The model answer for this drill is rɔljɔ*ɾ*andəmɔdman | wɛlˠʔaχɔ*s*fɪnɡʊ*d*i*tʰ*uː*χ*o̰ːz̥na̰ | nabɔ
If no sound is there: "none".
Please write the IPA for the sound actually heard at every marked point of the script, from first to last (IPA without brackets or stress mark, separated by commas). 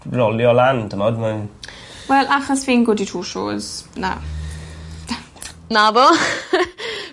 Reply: l, s, d, tʰ, ʃ